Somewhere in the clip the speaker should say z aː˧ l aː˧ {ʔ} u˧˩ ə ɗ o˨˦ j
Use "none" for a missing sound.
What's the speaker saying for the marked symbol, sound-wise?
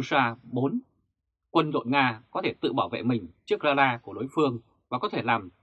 k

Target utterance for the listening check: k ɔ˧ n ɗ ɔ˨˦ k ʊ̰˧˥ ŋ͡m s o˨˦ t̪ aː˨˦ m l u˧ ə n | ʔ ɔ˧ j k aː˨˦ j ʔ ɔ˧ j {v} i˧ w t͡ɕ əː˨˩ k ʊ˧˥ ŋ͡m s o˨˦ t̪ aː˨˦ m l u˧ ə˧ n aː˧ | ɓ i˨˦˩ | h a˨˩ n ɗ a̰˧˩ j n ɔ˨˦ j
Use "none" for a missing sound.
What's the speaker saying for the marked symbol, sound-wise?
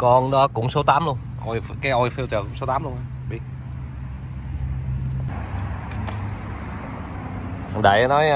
f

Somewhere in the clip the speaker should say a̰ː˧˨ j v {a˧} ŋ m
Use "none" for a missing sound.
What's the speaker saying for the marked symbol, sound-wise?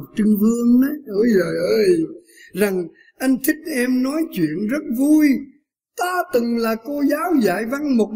a˧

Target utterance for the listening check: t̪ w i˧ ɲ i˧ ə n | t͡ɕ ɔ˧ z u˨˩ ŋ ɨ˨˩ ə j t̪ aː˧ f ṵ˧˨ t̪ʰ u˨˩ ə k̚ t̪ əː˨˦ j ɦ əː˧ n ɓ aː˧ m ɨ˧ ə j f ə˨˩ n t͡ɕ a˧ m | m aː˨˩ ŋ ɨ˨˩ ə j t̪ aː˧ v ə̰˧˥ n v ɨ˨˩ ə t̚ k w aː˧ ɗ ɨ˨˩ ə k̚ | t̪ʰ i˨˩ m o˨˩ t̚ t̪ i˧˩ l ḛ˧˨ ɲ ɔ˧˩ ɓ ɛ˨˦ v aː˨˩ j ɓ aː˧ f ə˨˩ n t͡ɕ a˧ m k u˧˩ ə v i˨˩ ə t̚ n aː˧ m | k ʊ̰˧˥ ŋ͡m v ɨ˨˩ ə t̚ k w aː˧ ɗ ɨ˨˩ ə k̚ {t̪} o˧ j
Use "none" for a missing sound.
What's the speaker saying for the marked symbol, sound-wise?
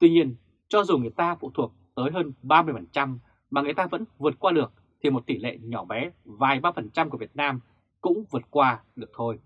t̪ʰ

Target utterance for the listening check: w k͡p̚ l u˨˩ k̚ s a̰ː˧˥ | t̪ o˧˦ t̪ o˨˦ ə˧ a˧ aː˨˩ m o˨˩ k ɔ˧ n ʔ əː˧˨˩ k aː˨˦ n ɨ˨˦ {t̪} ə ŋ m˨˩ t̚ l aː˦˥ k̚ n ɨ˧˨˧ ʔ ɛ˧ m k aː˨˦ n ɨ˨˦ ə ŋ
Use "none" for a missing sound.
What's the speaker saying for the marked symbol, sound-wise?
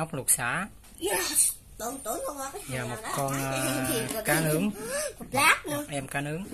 none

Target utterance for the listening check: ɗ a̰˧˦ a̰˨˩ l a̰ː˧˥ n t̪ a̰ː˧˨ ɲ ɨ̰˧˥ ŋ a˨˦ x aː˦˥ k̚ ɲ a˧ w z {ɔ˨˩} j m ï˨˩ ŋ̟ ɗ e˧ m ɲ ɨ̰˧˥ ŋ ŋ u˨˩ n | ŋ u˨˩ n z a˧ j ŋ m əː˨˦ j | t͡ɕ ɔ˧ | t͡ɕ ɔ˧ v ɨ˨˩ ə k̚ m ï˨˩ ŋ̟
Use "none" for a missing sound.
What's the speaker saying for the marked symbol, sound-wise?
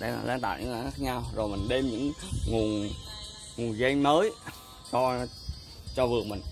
o˨˩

